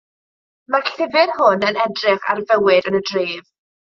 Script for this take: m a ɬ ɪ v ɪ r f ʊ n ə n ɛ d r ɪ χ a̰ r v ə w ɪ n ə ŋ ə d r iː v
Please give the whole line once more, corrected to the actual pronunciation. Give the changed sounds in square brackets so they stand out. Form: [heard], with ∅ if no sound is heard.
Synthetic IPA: m a ɬ ɪ v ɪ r [h] ʊ n ə n ɛ d r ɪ χ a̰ r v ə w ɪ [d] ə [n] ə d r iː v